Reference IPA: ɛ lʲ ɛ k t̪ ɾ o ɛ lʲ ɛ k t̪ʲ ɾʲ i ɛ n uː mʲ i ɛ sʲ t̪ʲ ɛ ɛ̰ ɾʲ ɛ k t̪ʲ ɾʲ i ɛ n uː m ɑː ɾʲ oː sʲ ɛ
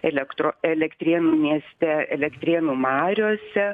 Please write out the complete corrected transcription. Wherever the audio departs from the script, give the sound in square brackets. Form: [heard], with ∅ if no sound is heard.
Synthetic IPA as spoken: ɛ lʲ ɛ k t̪ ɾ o ɛ lʲ ɛ k t̪ʲ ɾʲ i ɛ n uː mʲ i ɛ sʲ t̪ʲ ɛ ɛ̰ [lʲ] ɛ k t̪ʲ ɾʲ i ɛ n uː m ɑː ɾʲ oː sʲ ɛ